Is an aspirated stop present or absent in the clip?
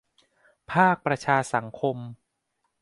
present